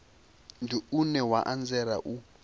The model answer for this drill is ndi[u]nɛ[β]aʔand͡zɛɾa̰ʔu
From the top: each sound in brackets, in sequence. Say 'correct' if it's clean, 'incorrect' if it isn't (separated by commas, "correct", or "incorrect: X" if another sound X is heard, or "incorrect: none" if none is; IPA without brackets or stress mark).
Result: correct, incorrect: w